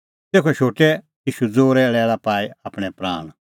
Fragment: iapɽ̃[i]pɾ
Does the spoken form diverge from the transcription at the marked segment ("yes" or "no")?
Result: yes